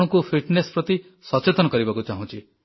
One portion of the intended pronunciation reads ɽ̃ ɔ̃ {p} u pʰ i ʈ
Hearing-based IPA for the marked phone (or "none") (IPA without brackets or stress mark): k